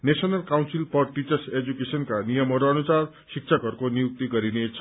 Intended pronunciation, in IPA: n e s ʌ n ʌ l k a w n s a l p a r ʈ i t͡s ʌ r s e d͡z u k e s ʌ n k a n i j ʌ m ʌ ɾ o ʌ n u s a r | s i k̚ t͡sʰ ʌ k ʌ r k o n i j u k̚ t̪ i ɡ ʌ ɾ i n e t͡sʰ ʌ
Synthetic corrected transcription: n e s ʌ n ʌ l k a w n s i l p ʌ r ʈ i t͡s ʌ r s e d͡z u k e s ʌ n k a n i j ʌ m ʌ ɾ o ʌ n u s a r | s i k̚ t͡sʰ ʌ k ʌ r k o n i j u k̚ t̪ i ɡ ʌ ɾ i n e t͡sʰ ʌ